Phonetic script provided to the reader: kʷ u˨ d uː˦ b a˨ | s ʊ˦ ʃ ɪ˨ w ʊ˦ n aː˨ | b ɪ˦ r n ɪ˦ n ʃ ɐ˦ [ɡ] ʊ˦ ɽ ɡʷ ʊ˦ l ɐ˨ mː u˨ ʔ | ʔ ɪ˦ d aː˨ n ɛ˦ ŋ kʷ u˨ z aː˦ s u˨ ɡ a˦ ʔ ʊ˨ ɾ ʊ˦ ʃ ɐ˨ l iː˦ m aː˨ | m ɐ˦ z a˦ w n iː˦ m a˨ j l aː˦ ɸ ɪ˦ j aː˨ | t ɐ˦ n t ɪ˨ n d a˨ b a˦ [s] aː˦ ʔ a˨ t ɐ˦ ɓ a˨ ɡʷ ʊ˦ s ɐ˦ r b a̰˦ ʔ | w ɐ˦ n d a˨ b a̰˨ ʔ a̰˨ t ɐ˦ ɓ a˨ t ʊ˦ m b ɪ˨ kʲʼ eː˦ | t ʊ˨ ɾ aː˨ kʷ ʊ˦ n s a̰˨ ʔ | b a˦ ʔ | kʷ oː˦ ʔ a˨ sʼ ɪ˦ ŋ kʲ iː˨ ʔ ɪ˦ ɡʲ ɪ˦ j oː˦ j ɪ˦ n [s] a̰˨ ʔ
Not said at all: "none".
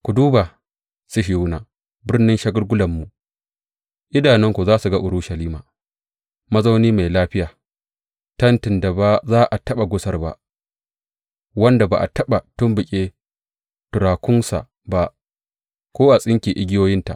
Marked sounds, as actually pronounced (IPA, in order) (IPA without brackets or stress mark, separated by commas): ɡ, z, t